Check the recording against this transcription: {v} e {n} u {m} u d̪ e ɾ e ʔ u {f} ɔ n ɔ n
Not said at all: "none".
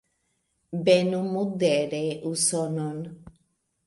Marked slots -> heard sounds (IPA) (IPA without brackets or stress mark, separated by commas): b, n, m, s